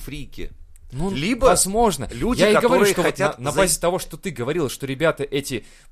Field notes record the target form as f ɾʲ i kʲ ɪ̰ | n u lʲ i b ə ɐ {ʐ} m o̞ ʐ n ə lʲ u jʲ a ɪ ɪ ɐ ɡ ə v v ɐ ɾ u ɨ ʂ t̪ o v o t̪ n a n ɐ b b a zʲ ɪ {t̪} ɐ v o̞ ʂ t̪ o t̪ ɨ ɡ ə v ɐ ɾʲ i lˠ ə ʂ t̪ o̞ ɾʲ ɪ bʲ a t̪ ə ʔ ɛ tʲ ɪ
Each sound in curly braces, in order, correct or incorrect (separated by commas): incorrect, correct